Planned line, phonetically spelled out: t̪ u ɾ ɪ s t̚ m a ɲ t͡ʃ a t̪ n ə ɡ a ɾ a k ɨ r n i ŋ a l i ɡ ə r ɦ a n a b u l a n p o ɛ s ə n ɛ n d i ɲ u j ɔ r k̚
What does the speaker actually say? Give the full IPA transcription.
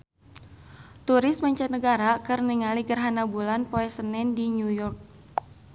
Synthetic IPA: t̪ u ɾ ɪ s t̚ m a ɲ t͡ʃ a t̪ n ə ɡ a ɾ a k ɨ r n i ŋ a l i ɡ ə r ɦ a n a b u l a n p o ɛ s ə n ɛ n d i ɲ u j ɔ r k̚